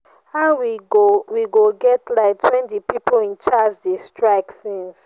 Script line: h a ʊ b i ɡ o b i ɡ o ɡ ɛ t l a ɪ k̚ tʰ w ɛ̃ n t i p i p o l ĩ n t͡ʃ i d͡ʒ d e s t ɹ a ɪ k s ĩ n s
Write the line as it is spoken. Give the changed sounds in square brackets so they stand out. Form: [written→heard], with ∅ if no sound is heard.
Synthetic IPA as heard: h a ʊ [b→w] i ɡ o [b→w] i ɡ o ɡ ɛ t l a ɪ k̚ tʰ w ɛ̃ n t i p i p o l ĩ n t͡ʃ [i→a] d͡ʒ d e s t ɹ a ɪ k s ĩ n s